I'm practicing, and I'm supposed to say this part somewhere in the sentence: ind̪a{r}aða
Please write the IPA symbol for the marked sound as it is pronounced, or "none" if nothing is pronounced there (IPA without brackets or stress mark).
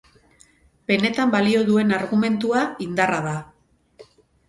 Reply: r